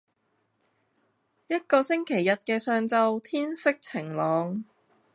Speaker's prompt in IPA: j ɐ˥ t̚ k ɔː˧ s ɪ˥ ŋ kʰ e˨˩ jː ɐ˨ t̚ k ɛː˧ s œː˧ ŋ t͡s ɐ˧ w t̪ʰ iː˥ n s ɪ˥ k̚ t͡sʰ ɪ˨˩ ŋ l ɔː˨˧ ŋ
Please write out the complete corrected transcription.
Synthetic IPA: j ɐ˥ t̚ k ɔː˧ s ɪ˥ ŋ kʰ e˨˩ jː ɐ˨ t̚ k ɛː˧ s œː˧ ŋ t͡s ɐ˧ w t̪ʰ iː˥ n s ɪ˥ k̚ t͡sʰ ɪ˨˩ ŋ l ɔː˨˧ ŋ